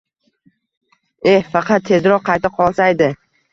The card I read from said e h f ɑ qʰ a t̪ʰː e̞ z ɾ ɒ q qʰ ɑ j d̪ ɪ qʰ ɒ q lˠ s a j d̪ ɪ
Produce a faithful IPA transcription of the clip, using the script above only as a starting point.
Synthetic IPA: e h f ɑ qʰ ɑ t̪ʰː e̞ z ɾ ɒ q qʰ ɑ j t̪ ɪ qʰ ɒ lˠ s a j d̪ ɪ